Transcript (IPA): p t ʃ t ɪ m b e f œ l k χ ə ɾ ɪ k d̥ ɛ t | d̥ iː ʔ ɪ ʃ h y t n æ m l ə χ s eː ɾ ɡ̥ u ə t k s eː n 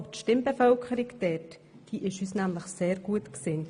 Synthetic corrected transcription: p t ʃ t ɪ m b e f œ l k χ ə ɾ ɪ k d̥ ɛ t | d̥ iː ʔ ɪ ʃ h y s n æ m l ə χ s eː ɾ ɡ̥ u ə t k s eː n